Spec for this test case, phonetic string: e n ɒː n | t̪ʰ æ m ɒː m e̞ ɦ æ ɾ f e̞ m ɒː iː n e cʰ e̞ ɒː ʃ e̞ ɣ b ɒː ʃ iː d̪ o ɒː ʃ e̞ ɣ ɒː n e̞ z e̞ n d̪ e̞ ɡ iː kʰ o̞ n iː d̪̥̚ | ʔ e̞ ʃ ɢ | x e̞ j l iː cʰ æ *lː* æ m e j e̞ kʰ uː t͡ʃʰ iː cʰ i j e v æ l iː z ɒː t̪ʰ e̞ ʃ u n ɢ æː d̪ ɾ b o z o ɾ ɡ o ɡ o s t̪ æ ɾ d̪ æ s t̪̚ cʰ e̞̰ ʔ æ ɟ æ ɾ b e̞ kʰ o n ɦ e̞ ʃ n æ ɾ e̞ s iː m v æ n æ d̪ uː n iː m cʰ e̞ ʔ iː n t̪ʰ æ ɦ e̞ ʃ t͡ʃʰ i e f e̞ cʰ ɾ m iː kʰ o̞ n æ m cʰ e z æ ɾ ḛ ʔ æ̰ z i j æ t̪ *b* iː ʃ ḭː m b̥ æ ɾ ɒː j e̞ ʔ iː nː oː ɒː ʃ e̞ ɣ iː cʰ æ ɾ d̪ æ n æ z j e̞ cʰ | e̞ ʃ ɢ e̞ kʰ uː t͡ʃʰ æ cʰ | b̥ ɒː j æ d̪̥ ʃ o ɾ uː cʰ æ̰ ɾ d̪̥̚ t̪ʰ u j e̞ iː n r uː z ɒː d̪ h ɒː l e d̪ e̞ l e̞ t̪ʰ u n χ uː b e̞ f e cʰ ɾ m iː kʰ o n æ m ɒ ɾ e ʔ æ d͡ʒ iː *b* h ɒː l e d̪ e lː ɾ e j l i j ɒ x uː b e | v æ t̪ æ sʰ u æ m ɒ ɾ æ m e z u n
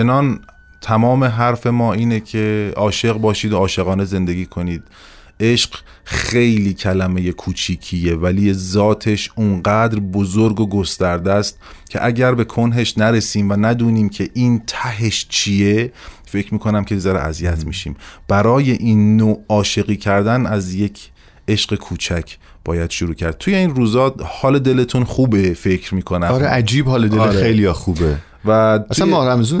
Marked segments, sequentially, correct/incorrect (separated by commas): incorrect, incorrect, correct